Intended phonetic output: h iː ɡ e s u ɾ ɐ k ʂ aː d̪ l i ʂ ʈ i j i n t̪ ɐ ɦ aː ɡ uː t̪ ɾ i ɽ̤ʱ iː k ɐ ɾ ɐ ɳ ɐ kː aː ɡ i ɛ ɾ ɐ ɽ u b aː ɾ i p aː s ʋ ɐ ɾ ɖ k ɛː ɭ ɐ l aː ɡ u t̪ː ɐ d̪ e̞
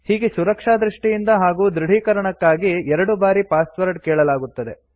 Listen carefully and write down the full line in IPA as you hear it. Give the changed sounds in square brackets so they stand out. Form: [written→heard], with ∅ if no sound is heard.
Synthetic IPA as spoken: h iː ɡ e s u ɾ ɐ k ʂ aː d̪ [l→ɾ] i ʂ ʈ i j i n [t̪→d̪] ɐ ɦ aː ɡ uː [t̪→d̪] ɾ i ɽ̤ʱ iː k ɐ ɾ ɐ ɳ ɐ kː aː ɡ i ɛ ɾ ɐ ɽ u b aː ɾ i p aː s ʋ ɐ ɾ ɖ k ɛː ɭ ɐ l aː ɡ u t̪ː ɐ d̪ e̞